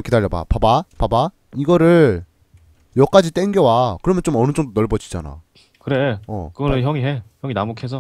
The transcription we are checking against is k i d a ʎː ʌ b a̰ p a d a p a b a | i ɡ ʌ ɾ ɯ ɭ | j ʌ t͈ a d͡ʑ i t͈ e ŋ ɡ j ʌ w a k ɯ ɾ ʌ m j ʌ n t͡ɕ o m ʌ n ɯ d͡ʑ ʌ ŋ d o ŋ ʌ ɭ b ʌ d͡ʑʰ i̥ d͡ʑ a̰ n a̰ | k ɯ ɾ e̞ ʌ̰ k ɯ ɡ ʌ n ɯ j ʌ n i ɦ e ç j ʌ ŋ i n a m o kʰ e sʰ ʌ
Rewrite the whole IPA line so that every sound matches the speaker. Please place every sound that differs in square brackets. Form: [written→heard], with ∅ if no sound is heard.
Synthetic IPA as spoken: k i d a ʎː ʌ b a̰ p a [d→b] a p a b a | i ɡ ʌ ɾ ɯ ɭ | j ʌ [t͈→k͈] a d͡ʑ i t͈ e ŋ ɡ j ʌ w a k ɯ ɾ ʌ m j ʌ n t͡ɕ o m ʌ n ɯ d͡ʑ ʌ ŋ d o [ŋ→n] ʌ ɭ b ʌ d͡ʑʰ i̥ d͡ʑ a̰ n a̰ | k ɯ ɾ e̞ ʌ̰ k ɯ ɡ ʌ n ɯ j ʌ [n→ŋ] i ɦ e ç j ʌ ŋ i n a m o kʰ e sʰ ʌ